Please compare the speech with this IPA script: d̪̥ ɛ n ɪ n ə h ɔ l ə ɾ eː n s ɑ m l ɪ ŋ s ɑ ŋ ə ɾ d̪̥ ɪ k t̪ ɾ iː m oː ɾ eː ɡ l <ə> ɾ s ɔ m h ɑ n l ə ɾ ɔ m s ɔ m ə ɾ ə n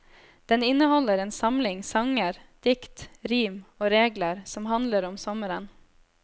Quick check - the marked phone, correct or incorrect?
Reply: correct